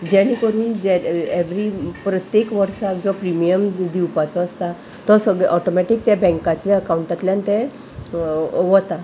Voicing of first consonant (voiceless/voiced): voiced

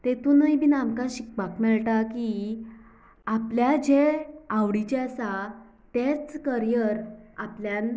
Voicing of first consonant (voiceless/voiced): voiceless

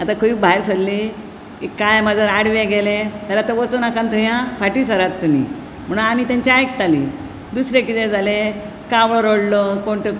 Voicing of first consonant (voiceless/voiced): voiceless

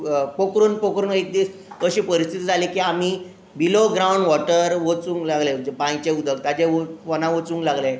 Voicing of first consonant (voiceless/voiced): voiceless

